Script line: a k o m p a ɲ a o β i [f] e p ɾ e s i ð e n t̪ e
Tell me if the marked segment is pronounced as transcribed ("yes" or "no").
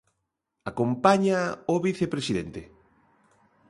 no